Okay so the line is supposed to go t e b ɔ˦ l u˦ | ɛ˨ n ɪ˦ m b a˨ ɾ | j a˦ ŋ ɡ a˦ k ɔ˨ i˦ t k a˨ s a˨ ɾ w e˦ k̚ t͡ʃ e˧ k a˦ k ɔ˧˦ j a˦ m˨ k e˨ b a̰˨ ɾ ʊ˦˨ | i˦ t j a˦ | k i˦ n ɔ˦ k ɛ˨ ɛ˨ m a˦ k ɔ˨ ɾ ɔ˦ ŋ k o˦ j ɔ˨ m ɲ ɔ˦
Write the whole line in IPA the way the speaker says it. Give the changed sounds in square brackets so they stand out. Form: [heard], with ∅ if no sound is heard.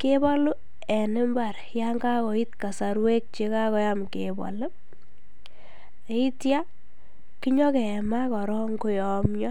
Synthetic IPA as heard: [k] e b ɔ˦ l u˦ | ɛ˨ n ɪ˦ m b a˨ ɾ | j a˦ ŋ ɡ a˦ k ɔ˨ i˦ t k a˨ s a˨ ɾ w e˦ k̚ t͡ʃ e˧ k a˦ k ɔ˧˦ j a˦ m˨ k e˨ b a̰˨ [l] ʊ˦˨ | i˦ t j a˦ | k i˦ [ɲ] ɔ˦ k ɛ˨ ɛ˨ m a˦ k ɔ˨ ɾ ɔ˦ ŋ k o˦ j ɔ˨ m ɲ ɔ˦